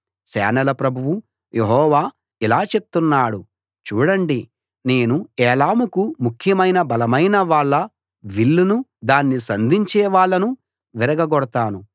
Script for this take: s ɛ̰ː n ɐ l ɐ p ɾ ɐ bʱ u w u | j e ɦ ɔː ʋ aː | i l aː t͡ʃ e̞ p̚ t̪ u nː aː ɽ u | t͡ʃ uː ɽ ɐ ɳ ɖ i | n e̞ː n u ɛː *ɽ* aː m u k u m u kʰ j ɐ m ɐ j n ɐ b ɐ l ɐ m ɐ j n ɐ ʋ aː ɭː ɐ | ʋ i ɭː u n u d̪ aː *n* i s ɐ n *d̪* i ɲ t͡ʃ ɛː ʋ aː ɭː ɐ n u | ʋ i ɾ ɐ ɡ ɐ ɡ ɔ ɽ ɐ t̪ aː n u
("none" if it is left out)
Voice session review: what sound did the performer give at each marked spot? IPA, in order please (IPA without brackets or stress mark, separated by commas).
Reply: l, nː, d̪